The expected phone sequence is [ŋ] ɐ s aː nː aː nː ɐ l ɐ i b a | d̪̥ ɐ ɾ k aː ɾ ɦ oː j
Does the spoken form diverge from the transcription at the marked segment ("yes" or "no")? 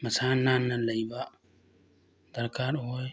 yes